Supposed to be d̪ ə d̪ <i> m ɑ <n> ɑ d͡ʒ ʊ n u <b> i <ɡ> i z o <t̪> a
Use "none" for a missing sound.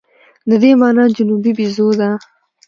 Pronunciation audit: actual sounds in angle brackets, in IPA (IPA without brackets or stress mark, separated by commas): e, n, b, b, d̪